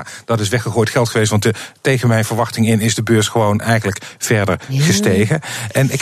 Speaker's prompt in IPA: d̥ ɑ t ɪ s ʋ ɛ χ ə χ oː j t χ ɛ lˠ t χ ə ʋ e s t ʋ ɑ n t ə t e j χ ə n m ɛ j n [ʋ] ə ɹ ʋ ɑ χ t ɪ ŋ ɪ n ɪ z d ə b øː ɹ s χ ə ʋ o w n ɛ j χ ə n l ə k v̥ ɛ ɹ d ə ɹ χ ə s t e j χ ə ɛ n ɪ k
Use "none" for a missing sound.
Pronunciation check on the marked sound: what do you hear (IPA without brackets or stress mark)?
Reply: v